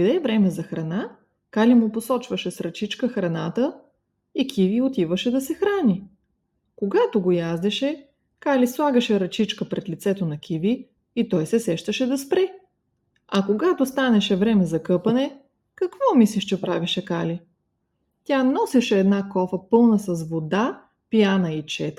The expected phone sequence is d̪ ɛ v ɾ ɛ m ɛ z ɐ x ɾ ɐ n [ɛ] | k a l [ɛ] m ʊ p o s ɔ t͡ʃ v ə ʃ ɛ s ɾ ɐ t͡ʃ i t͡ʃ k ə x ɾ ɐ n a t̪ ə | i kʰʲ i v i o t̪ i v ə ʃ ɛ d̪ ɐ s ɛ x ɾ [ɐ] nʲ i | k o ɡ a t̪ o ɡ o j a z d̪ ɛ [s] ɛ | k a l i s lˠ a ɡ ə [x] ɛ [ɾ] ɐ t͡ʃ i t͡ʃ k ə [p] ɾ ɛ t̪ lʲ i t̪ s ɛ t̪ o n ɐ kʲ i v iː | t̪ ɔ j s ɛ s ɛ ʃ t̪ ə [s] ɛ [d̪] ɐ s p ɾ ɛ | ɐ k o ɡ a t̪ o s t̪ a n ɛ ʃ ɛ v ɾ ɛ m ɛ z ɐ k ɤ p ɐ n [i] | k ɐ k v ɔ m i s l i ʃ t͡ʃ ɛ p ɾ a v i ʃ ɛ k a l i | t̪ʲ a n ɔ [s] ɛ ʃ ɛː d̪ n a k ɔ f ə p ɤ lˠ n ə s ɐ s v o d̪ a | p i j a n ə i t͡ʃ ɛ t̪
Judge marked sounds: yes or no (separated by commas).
no, no, no, no, no, yes, yes, no, yes, no, yes